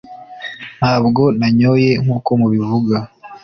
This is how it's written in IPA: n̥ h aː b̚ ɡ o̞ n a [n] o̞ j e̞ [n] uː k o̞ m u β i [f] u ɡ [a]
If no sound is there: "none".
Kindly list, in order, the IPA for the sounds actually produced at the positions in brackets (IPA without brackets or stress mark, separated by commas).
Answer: ɲ, ŋ, v, a